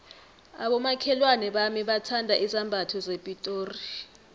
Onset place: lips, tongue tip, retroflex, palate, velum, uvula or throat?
lips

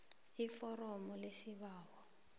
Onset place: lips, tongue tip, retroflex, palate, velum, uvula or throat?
lips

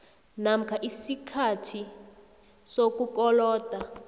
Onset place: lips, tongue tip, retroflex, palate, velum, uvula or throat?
tongue tip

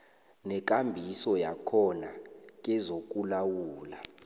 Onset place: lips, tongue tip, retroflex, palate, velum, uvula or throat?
tongue tip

